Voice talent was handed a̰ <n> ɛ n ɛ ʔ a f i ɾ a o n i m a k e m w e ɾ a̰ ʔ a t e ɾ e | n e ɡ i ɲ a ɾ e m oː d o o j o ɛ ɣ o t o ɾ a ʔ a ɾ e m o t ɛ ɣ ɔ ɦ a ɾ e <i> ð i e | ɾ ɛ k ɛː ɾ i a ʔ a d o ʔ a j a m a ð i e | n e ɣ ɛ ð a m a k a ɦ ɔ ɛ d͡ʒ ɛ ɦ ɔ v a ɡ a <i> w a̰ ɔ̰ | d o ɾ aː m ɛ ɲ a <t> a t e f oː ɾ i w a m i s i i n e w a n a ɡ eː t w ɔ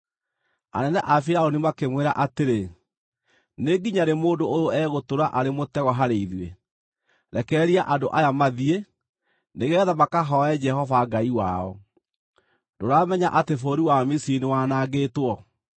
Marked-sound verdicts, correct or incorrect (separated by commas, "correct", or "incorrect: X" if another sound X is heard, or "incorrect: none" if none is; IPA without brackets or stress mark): correct, correct, correct, incorrect: ʔ